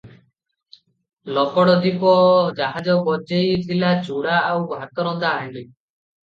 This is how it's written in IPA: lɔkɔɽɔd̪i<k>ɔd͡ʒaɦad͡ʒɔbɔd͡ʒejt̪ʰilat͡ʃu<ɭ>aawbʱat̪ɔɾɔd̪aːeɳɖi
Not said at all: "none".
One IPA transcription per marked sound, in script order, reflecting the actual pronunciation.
p, ɽ

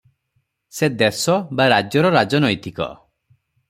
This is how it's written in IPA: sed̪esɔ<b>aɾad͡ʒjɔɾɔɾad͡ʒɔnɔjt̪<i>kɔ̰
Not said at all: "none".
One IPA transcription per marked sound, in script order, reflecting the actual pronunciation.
b, i

